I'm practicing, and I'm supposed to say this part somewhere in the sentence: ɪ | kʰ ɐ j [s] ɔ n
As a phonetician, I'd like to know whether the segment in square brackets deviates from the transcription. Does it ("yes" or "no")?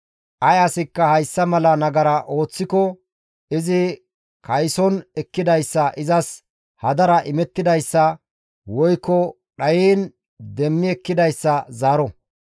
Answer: no